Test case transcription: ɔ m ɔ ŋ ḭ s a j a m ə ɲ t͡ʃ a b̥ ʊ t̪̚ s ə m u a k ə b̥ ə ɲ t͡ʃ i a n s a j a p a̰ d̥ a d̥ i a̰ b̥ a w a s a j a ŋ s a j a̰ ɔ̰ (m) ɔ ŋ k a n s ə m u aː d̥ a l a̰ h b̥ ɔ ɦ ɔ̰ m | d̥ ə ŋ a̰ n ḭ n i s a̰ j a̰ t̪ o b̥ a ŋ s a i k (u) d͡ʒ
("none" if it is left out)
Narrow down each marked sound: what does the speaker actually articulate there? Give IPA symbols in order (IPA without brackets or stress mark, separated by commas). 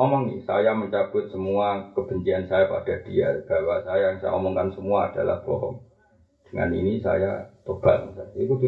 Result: m, u